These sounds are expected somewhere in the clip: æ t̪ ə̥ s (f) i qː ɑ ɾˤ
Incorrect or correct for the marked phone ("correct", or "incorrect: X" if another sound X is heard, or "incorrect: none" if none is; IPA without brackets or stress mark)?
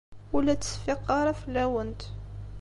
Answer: correct